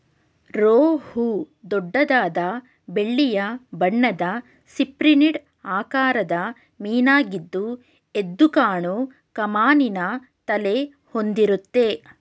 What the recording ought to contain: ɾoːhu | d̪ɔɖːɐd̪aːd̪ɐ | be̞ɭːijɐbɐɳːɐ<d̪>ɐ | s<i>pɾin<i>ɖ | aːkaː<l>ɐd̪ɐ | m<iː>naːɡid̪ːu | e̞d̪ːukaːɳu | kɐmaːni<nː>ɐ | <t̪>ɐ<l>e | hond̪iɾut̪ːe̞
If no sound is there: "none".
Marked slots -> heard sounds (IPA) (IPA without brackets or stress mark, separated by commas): d̪, i, i, ɾ, iː, n, t̪, l